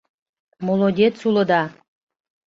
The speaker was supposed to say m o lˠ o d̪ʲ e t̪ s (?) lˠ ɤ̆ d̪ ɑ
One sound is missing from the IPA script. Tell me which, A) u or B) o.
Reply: A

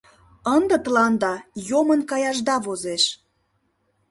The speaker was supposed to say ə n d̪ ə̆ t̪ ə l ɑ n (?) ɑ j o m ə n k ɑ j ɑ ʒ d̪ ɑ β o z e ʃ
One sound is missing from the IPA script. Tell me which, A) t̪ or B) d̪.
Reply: B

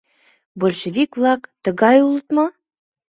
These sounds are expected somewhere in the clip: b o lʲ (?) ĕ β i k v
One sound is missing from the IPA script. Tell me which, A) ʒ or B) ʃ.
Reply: B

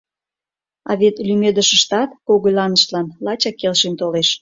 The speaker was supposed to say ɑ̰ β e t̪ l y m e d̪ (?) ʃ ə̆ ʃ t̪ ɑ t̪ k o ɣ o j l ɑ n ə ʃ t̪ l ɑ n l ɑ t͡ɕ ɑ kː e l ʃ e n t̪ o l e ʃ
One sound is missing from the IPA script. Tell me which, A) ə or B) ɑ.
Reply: A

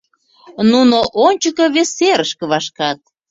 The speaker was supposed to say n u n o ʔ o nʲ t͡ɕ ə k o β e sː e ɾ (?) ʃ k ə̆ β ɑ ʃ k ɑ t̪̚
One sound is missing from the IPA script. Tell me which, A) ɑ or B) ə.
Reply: B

